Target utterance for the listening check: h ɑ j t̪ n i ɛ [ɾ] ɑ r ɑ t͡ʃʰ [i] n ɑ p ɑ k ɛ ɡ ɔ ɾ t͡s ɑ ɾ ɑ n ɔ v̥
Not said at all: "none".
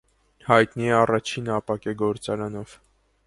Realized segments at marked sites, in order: none, i

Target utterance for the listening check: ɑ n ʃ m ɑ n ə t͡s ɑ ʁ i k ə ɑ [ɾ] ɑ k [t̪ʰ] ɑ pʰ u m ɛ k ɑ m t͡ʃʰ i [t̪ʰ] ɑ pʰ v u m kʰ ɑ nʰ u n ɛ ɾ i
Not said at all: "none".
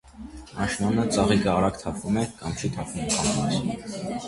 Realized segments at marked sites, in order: ɾ, t̪ʰ, t̪ʰ

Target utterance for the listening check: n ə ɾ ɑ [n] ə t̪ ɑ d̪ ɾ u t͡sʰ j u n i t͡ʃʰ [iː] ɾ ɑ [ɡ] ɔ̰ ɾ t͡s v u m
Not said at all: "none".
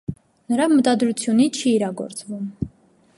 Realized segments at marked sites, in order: m, iː, ɡ

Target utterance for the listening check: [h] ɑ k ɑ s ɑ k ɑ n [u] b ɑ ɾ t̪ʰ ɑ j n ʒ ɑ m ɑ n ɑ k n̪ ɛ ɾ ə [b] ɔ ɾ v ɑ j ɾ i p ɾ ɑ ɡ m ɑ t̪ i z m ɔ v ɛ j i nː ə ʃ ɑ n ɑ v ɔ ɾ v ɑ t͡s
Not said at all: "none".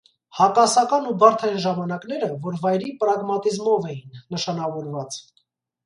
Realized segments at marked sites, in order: h, u, v

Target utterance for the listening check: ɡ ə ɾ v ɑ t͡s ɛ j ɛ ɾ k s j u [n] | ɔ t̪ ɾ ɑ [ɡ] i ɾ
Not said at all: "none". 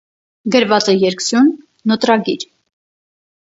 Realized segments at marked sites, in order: nː, ɡ

